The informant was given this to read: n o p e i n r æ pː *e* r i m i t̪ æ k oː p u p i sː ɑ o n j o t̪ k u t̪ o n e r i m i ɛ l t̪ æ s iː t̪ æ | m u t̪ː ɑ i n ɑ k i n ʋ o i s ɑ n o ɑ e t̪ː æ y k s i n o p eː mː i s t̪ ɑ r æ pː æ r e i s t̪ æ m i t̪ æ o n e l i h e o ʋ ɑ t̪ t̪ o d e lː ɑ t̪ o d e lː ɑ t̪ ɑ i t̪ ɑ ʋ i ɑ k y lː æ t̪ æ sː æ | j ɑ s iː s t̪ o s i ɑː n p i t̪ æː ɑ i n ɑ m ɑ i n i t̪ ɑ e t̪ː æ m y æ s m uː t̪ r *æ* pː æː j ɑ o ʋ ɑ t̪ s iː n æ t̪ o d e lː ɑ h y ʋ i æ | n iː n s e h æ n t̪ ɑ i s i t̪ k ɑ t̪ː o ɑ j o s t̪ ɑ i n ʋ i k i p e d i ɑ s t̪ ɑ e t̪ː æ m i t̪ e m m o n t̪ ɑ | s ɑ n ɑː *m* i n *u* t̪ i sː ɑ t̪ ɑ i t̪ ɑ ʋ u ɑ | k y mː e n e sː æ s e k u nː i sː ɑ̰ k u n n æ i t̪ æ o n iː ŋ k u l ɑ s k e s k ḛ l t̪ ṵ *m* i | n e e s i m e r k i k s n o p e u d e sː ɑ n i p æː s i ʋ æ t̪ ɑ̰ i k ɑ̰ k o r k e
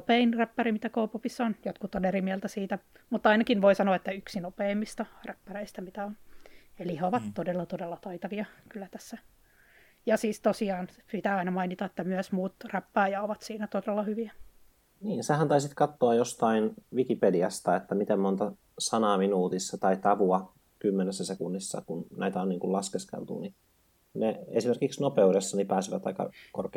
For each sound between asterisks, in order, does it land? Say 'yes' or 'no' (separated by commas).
no, yes, yes, no, no